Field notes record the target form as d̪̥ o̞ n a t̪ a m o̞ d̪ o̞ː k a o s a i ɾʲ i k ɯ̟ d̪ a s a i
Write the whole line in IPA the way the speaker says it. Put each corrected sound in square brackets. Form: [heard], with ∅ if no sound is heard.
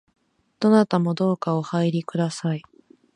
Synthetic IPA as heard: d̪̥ o̞ n a t̪ a m o̞ d̪ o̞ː k a o [h] a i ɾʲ i k ɯ̟ d̪ a s a i